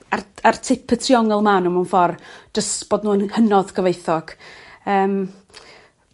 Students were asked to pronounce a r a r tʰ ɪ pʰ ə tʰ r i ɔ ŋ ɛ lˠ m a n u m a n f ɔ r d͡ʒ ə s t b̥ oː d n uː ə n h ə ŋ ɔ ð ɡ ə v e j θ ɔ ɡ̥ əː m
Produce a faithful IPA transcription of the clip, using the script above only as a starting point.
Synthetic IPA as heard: a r a r tʰ ɪ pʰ ə tʰ r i ɔ ŋ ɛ lˠ m a n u m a n f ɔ r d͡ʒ ə s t b̥ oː d n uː ə n h ə n ɔ ð ɡ ə v e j θ ɔ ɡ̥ əː m